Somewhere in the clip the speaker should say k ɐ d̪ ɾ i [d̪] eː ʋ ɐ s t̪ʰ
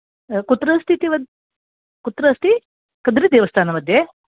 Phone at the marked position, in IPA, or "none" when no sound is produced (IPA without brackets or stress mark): d̪